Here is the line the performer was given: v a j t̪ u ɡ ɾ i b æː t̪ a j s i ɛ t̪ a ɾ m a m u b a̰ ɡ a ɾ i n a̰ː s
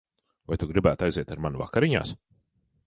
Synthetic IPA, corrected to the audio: v a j t̪ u ɡ ɾ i b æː t̪ a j z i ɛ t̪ a ɾ m a n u v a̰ k a ɾ i ɲ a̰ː s